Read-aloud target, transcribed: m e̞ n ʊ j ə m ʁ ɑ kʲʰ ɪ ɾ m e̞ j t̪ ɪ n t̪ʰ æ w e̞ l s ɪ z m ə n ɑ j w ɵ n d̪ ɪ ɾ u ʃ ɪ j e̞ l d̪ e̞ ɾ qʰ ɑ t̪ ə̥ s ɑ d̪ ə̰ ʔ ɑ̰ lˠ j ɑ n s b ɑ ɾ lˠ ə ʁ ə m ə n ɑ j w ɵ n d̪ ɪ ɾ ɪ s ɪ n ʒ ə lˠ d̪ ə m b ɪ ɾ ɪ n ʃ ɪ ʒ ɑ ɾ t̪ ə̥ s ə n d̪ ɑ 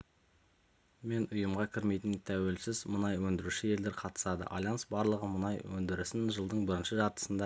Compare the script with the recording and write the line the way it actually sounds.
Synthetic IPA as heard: m e̞ n ʊ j ə m ʁ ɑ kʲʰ ɪ ɾ m e̞ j t̪ ɪ n t̪ʰ æ w e̞ l s ɪ z m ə n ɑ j w ɵ n d̪ ɪ ɾ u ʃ ɪ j e̞ l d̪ e̞ ɾ qʰ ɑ t̪ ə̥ s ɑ d̪ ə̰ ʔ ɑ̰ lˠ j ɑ n s b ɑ ɾ lˠ ə ʁ ə m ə n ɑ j w ɵ n d̪ ɪ ɾ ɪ s ɪ n ʒ ə lˠ d̪ ə ɴ b ɪ ɾ ɪ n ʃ ɪ ʒ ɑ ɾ t̪ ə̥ s ə n d̪ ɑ